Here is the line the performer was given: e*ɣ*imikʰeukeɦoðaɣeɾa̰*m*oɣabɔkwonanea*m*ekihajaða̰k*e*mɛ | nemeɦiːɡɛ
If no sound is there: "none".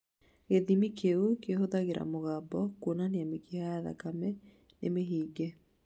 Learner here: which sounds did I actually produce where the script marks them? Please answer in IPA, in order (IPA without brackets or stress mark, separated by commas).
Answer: ð, m, m, a